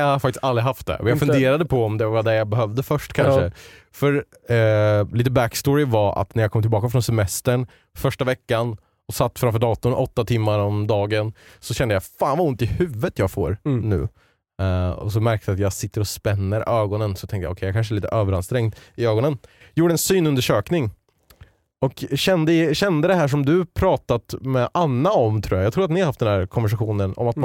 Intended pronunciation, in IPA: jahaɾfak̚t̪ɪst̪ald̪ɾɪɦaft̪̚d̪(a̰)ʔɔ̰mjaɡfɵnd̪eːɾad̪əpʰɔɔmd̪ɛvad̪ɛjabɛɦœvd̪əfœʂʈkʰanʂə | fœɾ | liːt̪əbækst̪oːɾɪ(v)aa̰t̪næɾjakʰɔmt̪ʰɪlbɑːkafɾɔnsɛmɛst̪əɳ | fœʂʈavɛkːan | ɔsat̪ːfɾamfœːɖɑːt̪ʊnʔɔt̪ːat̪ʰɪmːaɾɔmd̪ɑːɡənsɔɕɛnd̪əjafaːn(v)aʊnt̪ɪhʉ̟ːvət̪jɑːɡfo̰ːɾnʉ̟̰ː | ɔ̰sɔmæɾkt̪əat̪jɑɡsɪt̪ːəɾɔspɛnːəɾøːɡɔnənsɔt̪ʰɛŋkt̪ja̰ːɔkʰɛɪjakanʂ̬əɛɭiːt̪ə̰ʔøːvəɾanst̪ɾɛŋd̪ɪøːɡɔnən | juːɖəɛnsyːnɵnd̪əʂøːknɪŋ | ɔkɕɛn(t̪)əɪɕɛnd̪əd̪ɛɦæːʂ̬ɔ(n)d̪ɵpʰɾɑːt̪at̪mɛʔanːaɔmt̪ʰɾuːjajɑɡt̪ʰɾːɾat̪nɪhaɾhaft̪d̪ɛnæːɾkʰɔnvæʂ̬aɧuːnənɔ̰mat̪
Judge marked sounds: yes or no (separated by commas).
no, yes, yes, no, no